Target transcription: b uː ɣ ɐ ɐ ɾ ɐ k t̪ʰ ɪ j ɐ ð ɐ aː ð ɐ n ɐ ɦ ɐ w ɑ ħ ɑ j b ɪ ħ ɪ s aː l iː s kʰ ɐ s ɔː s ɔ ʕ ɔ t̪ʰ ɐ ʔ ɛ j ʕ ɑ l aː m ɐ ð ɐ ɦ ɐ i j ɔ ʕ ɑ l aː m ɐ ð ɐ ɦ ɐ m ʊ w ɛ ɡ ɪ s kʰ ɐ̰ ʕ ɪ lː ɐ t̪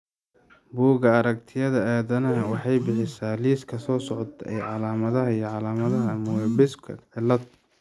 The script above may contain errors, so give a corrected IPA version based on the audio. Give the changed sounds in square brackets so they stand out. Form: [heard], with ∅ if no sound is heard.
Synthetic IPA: b uː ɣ ɐ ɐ ɾ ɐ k t̪ʰ ɪ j ɐ ð ɐ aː ð ɐ n ɐ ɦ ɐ w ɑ ħ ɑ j b ɪ ħ ɪ s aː l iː s kʰ ɐ s ɔː s ɔ ʕ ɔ t̪ʰ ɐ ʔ ɛ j ʕ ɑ l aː m ɐ ð ɐ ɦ ɐ i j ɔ ʕ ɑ l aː m ɐ ð ɐ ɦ ɐ m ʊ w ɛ [b] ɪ s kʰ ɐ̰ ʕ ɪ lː ɐ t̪